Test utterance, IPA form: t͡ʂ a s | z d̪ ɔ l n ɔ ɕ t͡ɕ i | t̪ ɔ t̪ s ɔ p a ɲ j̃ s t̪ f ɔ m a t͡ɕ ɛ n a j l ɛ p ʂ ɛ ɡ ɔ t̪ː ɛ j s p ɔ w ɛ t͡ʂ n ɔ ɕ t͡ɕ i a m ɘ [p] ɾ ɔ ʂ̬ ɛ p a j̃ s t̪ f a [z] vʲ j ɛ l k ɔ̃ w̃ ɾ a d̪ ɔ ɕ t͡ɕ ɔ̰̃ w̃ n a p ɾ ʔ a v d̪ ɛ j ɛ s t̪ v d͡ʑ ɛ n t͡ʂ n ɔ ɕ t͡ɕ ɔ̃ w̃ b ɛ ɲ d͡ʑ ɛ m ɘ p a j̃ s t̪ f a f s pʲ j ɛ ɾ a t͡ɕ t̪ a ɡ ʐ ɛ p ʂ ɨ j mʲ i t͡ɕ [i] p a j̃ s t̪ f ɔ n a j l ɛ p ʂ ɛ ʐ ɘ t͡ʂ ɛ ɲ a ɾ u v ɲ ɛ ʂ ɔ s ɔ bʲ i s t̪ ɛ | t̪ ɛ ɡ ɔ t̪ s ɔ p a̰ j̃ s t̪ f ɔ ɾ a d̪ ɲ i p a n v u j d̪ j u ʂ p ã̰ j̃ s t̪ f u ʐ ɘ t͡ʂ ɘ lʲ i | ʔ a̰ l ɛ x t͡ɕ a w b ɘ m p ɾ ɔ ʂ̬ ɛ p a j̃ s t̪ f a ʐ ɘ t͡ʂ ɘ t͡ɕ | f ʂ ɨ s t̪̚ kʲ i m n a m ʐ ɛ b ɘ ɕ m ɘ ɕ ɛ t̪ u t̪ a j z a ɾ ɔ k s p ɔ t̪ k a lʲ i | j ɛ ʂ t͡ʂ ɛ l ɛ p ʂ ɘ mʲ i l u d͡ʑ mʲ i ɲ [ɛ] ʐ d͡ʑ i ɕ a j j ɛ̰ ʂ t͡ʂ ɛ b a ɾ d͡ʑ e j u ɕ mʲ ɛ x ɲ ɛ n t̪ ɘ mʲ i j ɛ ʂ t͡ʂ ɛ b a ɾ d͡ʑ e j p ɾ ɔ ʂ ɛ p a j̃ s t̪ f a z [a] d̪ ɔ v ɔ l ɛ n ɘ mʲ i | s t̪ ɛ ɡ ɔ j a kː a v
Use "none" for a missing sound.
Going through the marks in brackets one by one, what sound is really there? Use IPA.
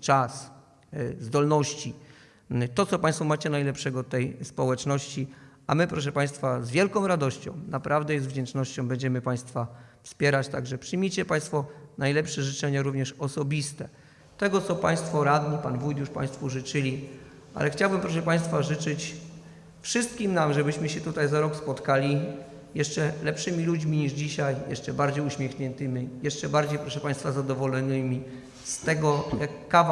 p, z, ɛ, i, a

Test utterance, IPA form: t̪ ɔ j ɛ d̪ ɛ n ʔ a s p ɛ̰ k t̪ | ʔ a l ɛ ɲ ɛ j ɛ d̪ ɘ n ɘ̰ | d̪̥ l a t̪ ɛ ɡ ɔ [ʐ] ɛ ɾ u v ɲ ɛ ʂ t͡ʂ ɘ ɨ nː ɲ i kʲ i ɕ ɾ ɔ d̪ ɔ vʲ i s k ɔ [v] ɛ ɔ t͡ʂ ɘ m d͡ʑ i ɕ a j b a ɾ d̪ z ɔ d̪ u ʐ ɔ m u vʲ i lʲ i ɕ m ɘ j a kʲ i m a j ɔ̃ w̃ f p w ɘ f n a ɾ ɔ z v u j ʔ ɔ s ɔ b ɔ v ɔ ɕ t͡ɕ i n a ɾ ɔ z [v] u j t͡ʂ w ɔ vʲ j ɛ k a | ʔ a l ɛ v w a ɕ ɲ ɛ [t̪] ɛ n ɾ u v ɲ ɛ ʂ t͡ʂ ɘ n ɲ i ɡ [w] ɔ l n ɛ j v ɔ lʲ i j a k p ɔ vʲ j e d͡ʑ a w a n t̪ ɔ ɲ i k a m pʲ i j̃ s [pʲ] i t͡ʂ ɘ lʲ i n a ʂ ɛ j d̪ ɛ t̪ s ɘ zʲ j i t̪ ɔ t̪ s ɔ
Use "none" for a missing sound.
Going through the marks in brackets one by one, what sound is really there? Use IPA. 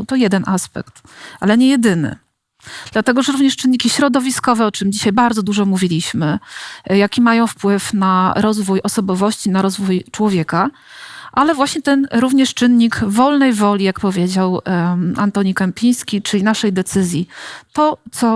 ʐ, v, v, t̪, v, kʲ

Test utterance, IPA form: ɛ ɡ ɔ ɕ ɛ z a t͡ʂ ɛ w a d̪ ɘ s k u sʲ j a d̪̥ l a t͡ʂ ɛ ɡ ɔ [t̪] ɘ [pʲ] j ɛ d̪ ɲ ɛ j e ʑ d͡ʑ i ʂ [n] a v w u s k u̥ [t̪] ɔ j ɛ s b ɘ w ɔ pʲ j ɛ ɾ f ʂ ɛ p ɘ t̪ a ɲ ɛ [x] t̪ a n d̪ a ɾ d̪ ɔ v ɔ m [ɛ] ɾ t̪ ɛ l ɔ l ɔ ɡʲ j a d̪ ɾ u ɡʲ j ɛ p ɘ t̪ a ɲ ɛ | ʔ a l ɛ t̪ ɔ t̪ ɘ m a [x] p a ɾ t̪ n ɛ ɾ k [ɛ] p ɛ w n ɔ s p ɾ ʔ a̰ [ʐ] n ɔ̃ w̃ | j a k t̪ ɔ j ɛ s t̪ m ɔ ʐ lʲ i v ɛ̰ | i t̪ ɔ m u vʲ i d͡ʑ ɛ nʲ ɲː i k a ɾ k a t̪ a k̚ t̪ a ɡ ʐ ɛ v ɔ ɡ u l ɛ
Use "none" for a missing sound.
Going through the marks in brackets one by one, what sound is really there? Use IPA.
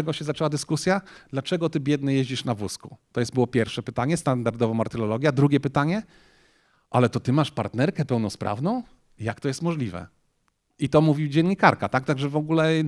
t̪, bʲ, n, t̪, s, a, ʂ, ɛ, v

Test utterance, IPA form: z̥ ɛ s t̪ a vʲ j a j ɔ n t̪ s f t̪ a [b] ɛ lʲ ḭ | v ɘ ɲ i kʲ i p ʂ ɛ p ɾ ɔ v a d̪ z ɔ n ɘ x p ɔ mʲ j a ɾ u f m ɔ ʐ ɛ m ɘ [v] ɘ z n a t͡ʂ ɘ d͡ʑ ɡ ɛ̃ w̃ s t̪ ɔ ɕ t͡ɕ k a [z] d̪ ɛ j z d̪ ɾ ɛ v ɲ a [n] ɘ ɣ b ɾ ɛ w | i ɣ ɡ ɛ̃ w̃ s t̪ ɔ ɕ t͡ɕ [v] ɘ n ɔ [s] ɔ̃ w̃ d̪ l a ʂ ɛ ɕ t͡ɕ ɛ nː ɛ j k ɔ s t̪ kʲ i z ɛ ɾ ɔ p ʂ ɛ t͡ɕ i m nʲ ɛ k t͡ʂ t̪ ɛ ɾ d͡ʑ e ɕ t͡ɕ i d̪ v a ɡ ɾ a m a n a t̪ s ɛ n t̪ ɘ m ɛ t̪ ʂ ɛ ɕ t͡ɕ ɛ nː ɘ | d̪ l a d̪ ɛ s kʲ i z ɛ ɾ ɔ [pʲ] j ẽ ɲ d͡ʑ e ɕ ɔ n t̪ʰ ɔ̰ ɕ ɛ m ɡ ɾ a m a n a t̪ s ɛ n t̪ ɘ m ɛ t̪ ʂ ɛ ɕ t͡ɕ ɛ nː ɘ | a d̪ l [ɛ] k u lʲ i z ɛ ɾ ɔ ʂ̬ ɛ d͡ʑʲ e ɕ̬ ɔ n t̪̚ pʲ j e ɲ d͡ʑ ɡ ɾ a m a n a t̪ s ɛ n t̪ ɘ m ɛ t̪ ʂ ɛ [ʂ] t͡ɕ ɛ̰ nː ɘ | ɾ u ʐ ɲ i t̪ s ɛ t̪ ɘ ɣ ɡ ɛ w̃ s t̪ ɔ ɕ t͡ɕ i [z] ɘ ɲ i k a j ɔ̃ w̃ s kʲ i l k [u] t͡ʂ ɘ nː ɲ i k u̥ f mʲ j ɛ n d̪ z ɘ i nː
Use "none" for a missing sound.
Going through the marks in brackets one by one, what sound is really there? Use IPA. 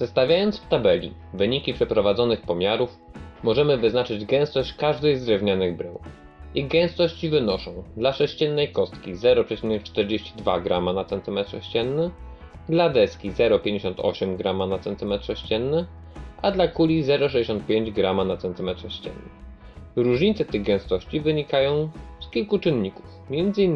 b, v, ʐ, n, v, ʂ, pʲ, a, ɕ, v, u

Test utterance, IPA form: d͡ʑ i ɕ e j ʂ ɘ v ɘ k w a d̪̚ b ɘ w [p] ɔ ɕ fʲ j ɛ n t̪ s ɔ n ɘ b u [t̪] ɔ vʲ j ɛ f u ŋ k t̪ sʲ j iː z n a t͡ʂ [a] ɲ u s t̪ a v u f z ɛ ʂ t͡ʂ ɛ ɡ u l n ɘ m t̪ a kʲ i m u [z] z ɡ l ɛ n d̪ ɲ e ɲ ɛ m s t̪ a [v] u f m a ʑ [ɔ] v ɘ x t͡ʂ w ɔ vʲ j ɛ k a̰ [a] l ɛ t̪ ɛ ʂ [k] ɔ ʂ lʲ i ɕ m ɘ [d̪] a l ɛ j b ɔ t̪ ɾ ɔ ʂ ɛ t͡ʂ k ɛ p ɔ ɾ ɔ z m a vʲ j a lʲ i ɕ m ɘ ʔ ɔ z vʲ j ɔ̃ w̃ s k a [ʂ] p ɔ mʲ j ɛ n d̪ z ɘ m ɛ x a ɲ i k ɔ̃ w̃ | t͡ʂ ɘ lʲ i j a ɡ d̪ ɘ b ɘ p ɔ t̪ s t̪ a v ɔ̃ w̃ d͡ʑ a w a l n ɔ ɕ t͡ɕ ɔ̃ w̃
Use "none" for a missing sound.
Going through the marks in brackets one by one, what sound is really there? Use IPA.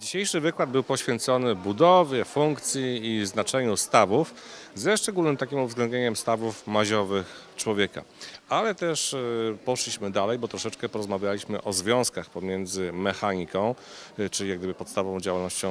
p, d̪, ɛ, v, v, ɔ, a, p, d̪, x

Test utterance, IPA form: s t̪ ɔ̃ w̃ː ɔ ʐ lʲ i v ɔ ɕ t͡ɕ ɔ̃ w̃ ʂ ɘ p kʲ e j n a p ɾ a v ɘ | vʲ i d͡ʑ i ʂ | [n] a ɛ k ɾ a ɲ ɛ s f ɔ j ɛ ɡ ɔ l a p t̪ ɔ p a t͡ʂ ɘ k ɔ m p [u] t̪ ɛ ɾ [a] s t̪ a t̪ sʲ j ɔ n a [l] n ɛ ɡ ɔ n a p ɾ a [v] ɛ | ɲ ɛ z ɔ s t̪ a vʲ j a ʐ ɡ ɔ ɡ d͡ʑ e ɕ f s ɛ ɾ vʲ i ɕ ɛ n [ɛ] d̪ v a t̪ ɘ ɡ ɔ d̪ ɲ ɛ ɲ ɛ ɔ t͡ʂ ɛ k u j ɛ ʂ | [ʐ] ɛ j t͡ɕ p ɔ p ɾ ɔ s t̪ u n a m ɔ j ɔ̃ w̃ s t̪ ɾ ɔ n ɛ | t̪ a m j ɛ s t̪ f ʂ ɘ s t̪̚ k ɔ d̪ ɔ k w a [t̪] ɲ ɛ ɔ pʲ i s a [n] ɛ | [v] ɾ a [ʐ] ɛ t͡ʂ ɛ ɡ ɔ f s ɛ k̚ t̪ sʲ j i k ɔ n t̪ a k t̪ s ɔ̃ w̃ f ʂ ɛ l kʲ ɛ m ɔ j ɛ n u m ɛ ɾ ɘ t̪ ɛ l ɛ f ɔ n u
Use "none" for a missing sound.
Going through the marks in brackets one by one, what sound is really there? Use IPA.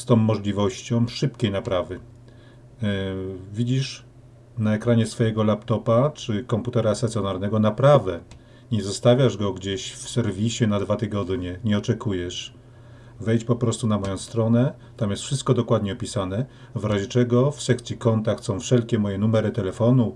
n, u, a, ɾ, v, a, v, d̪, n, v, ʑ

